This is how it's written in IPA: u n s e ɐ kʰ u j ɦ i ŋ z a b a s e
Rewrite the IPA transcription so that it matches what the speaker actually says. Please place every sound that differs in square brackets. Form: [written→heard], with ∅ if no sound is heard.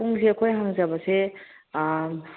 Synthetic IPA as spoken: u [n→ŋ] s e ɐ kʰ [u→o] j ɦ [i→a] ŋ z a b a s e